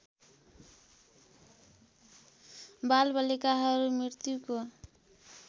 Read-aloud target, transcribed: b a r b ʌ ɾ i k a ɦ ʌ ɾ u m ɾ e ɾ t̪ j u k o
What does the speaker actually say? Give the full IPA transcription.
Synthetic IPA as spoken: b a l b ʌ l i k a ɦ ʌ ɾ u m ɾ i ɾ t̪ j u k o